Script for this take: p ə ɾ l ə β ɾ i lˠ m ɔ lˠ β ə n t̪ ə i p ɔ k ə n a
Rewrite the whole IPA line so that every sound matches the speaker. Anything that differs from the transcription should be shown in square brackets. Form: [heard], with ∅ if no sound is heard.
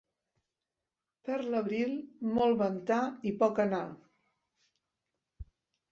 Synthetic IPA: p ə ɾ l ə β ɾ i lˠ m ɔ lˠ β ə n t̪ [a] i p ɔ k ə n a